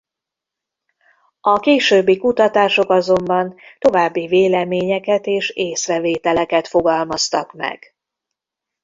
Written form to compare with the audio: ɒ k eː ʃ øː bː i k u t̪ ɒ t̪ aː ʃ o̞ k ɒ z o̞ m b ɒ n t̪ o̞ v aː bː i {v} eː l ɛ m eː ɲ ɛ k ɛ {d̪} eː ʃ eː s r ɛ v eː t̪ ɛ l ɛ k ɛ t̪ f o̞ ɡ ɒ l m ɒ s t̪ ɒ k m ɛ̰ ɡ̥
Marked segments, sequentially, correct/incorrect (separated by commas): correct, incorrect